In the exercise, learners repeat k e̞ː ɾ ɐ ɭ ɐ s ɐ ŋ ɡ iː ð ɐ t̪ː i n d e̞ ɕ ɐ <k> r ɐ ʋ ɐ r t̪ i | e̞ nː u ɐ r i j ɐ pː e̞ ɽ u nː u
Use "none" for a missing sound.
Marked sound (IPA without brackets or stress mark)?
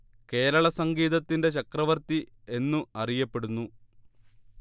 k